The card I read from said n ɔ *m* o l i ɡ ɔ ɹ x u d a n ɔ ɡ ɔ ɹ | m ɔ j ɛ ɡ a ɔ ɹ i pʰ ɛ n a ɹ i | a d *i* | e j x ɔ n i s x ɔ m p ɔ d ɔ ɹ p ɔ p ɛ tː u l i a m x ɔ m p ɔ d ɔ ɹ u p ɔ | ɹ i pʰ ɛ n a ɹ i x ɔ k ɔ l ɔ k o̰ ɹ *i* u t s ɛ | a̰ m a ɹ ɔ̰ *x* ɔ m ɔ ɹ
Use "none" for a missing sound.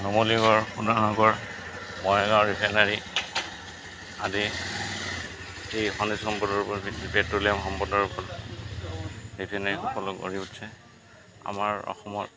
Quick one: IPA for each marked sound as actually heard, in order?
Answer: m, i, i, x

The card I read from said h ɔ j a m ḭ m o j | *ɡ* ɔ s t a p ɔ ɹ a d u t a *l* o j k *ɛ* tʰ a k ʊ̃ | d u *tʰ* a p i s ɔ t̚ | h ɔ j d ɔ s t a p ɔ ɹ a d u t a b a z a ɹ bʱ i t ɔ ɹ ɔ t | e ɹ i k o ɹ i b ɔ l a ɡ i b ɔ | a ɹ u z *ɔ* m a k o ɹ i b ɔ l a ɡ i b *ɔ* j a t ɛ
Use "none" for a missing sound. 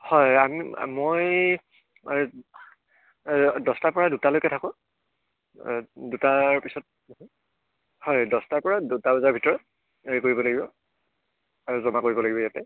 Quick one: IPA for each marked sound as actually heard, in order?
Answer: d, l, ɛ, t, ɔ, ɔ

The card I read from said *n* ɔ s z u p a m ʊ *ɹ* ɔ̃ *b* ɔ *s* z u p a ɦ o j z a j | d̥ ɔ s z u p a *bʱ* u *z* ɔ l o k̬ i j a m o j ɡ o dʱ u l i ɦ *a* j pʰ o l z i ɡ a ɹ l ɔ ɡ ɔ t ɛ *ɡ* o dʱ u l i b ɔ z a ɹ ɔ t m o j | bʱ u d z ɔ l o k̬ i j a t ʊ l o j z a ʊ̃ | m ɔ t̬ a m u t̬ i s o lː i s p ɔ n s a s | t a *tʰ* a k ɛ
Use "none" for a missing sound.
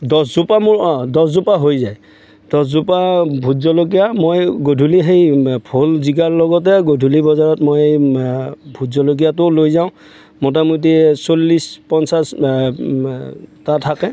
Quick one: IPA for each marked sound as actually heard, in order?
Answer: d, ɹ, d, s, bʱ, z, e, ɡ, tʰ

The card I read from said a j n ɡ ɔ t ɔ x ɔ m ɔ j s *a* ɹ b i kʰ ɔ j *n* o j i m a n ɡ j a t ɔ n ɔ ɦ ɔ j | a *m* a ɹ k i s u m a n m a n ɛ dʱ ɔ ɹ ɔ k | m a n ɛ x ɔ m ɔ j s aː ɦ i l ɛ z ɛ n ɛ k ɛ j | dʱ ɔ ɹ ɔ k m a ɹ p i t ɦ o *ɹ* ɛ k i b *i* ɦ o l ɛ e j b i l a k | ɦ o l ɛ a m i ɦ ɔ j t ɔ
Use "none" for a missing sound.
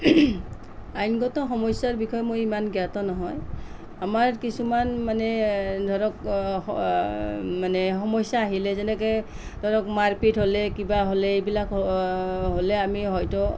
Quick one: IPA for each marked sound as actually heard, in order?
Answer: a, m, m, l, a

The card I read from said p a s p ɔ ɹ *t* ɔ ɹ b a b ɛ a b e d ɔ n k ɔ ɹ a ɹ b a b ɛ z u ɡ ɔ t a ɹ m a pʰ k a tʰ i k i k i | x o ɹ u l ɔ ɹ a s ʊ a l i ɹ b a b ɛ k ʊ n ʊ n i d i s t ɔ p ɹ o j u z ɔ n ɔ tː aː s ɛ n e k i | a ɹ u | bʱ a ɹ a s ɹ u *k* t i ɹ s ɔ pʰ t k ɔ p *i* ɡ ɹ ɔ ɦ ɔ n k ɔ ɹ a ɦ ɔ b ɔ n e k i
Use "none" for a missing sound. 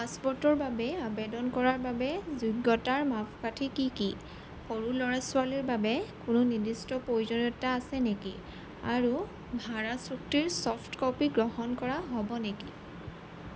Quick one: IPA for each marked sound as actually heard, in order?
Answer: t, k, i

